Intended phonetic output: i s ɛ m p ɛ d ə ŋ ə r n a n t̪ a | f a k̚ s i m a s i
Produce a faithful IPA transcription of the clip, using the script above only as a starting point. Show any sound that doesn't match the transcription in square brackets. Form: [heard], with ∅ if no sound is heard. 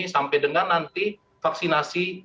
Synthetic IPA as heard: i s [a] m p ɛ d ə ŋ [a] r n a n t̪ [i] | f a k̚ s i [n] a s i